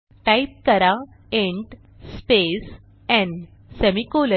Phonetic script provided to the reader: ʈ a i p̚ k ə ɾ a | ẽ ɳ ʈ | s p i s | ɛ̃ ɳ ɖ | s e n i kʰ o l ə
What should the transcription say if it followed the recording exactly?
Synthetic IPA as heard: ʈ a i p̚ k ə ɾ a | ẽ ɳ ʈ | s p e s | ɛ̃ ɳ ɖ | s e m i k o l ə